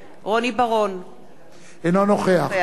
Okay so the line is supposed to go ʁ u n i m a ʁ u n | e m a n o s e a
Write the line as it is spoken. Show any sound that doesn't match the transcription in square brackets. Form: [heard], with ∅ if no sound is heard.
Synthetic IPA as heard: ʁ [o] n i [b] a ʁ [o] n | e [n] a n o [χ] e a